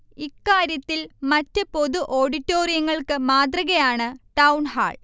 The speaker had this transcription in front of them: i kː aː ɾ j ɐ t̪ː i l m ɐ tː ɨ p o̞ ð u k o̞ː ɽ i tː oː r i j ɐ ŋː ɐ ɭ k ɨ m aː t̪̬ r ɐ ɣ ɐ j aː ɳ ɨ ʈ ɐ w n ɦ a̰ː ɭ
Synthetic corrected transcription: i kː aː ɾ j ɐ t̪ː i l m ɐ tː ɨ p o̞ ð u ʔ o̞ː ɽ i tː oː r i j ɐ ŋː ɐ ɭ k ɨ m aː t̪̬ r ɐ ɣ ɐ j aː ɳ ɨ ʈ ɐ w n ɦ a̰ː ɭ

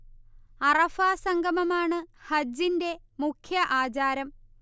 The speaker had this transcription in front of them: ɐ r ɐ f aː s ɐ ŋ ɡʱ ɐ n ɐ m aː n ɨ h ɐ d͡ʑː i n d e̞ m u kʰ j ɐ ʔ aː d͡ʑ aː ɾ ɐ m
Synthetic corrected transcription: ɐ r ɐ f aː s ɐ ŋ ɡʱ ɐ m ɐ m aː ɳ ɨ h ɐ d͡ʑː i n d e̞ m u kʰ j ɐ ʔ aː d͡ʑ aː ɾ ɐ m

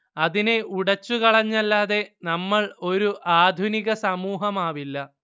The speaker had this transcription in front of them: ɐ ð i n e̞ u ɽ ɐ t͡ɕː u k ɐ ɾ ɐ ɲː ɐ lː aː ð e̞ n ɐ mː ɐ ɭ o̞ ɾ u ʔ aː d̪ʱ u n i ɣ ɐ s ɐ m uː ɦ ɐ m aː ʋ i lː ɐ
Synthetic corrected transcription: ɐ ð i n e̞ u ɽ ɐ t͡ɕː u k ɐ ɭ ɐ ɲː ɐ lː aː ð e̞ n ɐ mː ɐ ɭ o̞ ɾ u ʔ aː d̪ʱ u n i ɣ ɐ s ɐ m uː ɦ ɐ m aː ʋ i lː ɐ

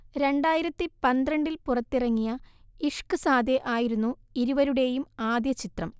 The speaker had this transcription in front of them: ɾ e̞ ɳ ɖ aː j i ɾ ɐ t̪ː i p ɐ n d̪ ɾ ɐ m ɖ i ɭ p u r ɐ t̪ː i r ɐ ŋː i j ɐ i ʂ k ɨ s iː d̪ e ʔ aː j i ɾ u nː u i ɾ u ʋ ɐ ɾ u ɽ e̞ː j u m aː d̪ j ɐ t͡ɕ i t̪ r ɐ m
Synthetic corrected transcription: ɾ e̞ ɳ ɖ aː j i ɾ ɐ t̪ː i p ɐ n d̪ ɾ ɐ ɳ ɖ i l p u r ɐ t̪ː i r ɐ ŋː i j ɐ i ʂ k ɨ s aː d̪ e ʔ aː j i ɾ u nː u i ɾ u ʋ ɐ ɾ u ɽ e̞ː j u m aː d̪ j ɐ t͡ɕ i t̪ r ɐ m

